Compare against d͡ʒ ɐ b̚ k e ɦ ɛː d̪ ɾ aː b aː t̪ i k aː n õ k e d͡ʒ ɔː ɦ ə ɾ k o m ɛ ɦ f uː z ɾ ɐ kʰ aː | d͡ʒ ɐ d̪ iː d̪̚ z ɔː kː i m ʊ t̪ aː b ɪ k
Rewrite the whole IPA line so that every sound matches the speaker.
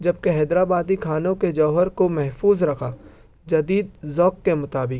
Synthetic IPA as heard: d͡ʒ ɐ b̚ k e ɦ ɛː d̪ ɾ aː b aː d̪ i kʰ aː n õ k e d͡ʒ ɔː ɦ ə ɾ k o m ɛ ɦ f uː z ɾ ɐ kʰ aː | d͡ʒ ɐ d̪ iː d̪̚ z ɔː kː e m ʊ t̪ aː b ɪ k